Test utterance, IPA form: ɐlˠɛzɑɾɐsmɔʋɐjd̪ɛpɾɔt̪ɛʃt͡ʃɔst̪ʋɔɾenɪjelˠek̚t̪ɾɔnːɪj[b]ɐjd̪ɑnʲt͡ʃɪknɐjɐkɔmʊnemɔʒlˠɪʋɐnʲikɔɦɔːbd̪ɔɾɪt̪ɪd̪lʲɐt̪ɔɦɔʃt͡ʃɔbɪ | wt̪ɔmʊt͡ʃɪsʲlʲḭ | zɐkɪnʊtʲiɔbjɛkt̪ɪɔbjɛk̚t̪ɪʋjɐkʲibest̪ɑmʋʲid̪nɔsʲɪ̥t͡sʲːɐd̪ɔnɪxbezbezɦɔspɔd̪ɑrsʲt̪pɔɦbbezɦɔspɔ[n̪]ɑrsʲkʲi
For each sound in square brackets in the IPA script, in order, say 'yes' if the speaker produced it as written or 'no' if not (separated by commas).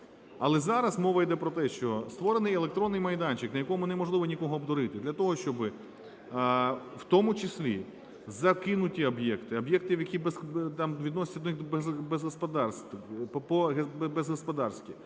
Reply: no, no